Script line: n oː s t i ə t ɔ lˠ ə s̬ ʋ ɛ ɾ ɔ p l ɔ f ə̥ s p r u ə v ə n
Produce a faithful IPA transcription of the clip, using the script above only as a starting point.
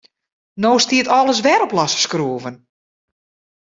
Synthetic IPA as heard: n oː s t i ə t ɔ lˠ ə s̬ ʋ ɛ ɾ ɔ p l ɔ s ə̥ s k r u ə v ə n